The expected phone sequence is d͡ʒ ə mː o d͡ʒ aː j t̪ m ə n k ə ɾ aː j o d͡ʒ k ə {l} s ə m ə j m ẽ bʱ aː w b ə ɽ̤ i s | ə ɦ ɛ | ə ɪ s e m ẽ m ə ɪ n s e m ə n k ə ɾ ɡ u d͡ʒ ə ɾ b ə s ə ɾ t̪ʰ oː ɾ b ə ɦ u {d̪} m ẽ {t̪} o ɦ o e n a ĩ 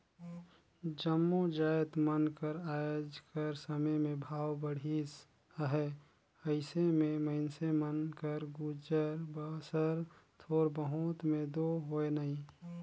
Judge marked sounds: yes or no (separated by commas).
no, no, no